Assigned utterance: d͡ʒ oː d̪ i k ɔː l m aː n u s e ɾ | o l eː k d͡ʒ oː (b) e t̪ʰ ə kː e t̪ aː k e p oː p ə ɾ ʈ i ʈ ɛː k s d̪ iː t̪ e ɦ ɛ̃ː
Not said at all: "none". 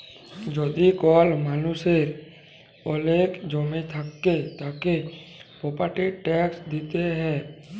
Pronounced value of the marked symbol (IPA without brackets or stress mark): m